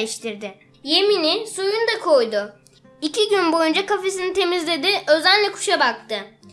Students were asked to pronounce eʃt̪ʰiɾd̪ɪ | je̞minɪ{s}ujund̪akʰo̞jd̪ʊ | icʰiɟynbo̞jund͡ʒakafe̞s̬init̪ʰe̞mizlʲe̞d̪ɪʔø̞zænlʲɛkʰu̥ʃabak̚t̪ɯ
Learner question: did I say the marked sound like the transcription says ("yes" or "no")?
yes